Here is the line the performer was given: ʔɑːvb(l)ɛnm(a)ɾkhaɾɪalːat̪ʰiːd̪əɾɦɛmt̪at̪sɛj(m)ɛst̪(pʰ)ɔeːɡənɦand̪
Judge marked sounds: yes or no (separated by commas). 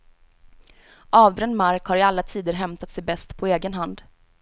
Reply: no, yes, no, yes